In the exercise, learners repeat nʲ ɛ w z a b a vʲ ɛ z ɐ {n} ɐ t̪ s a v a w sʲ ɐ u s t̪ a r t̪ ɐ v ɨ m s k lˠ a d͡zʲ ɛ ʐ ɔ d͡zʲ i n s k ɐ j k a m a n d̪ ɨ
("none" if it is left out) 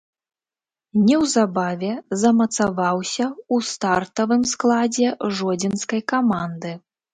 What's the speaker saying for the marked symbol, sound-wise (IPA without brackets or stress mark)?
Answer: m